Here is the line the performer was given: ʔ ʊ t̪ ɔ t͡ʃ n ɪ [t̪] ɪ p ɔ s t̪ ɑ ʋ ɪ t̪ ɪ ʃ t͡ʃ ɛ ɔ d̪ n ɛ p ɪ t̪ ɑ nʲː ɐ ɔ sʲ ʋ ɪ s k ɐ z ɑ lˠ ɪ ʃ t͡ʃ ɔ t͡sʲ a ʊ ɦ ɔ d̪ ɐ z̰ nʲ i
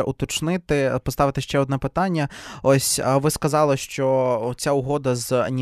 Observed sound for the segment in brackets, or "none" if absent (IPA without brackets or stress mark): t̪